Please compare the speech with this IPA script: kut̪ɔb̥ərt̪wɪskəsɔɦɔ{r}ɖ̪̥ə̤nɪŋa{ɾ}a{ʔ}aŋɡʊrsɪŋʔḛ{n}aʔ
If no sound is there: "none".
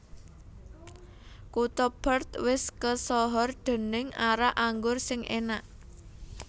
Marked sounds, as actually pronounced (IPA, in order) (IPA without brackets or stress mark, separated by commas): r, ɾ, ʔ, n